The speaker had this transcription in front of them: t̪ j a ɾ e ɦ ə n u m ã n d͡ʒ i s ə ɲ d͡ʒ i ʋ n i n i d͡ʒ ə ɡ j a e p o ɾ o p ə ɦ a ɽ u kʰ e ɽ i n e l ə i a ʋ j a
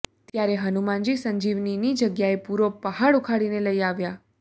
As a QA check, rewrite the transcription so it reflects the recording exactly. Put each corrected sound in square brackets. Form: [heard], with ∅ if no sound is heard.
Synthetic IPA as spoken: t̪ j a ɾ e ɦ ə n u m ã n d͡ʒ i s ə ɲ d͡ʒ i ʋ n i n i d͡ʒ ə ɡ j a e p [u] ɾ o p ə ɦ a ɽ u kʰ [a] ɽ i n e l ə i a ʋ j a